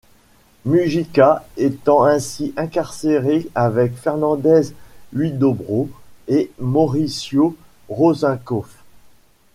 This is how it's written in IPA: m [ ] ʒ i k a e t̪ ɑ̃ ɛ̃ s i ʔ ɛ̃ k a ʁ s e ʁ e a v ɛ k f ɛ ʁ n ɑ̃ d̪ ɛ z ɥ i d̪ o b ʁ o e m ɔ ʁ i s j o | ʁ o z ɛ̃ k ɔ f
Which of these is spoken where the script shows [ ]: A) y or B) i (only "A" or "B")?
A